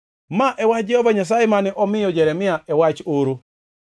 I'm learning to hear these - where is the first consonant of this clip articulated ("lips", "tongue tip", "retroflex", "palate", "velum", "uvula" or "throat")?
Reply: lips